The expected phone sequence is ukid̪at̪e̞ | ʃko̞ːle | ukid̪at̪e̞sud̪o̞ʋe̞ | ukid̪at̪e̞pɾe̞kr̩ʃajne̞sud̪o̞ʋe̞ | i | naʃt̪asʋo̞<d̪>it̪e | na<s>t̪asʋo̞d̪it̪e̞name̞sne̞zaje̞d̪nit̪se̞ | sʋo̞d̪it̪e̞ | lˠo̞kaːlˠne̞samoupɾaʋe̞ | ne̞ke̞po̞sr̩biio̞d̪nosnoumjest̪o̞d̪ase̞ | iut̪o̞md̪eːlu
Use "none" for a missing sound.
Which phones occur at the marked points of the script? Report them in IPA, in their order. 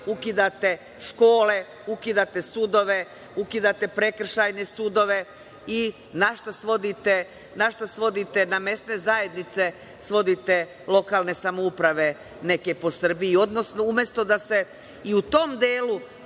d̪, ʃ

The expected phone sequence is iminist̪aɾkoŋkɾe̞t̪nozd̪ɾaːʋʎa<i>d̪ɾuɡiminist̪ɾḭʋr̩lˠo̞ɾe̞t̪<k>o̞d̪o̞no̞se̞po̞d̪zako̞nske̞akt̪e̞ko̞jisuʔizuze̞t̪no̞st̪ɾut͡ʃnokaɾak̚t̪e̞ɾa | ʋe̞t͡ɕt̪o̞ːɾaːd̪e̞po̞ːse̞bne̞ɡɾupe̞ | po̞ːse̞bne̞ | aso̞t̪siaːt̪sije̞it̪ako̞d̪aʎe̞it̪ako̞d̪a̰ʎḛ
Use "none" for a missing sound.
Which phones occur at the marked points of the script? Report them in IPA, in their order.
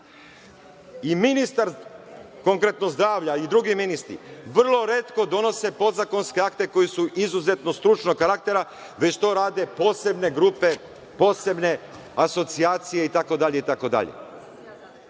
i, k

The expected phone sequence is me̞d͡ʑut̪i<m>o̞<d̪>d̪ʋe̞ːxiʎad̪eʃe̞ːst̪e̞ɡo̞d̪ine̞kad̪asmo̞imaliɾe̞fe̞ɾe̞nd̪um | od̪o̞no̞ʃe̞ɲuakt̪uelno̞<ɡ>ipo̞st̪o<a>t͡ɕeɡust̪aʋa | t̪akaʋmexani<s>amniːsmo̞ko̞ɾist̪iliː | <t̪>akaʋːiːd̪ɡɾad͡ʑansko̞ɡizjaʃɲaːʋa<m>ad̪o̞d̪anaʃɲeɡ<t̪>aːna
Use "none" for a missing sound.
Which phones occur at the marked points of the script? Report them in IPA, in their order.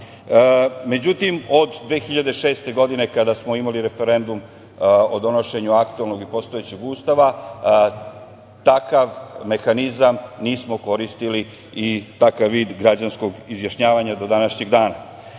m, d̪, ɡ, e, z, t̪, ɲ, d̪

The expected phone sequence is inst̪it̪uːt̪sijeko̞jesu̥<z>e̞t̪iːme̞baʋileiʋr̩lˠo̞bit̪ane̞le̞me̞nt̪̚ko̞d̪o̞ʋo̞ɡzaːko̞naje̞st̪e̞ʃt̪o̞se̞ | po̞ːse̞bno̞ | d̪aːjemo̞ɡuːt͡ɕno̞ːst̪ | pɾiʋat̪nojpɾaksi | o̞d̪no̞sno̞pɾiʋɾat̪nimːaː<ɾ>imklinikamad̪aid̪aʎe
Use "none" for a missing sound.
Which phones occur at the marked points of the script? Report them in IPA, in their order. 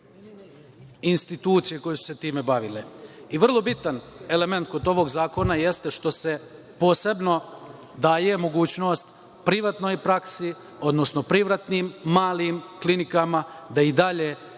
s, l

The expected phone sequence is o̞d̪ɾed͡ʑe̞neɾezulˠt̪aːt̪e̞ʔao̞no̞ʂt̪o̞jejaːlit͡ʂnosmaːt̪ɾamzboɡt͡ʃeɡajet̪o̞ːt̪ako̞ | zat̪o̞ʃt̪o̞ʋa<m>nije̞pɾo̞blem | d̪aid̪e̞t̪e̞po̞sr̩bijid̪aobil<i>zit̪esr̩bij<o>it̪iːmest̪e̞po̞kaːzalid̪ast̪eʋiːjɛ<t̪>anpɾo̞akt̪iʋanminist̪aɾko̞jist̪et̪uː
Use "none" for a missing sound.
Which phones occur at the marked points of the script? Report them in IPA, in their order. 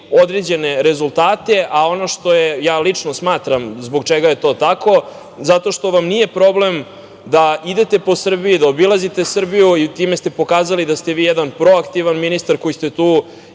m, a, u, d̪

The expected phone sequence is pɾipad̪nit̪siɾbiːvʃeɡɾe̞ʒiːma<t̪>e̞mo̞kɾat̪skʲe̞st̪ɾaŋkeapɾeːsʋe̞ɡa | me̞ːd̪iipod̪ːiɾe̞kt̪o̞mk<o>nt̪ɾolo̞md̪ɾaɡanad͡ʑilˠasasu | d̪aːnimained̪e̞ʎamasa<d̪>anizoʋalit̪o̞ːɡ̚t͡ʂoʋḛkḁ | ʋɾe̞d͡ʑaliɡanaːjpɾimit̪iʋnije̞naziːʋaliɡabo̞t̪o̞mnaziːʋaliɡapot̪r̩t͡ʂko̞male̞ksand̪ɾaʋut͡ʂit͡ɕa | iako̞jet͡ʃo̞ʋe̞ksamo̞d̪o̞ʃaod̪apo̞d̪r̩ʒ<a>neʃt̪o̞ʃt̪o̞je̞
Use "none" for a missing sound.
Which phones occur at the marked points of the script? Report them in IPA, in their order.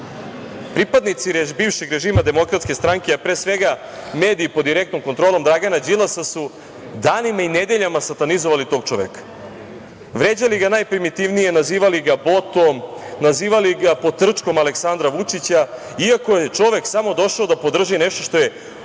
d̪, o, t̪, i

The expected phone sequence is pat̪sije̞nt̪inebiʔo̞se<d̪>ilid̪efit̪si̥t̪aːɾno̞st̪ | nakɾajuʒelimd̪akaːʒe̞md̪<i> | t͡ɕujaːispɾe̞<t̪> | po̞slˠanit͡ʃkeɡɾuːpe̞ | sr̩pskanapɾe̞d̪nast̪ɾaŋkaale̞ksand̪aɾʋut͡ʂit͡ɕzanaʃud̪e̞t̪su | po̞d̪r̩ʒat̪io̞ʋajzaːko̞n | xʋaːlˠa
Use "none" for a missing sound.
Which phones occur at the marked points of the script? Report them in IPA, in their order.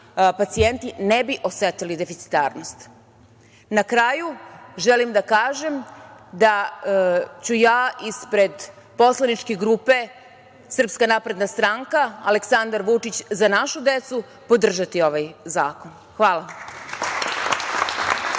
t̪, a, d̪

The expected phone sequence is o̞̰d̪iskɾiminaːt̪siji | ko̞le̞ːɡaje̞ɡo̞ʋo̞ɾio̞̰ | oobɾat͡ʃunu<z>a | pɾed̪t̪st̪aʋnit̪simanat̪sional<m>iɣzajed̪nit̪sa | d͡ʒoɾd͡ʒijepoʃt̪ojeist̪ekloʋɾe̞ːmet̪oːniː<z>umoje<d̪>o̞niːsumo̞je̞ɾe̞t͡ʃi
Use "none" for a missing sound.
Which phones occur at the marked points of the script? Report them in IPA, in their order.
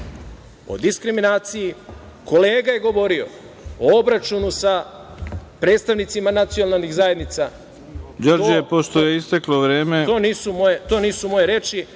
s, n, s, t̪

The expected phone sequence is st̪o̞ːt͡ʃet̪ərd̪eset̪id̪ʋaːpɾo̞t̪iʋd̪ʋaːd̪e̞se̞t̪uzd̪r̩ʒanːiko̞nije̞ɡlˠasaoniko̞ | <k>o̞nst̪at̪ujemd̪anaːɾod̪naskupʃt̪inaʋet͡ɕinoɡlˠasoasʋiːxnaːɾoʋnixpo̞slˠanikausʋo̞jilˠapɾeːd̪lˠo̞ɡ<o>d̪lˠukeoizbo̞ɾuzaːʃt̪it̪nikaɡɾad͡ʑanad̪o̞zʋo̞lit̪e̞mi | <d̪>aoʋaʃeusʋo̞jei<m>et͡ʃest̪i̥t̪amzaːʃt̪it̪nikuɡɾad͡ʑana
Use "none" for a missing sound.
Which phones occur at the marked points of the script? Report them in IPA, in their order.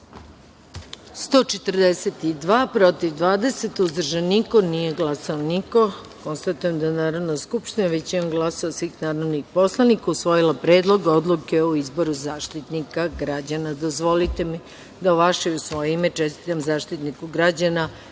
k, o, d̪, m

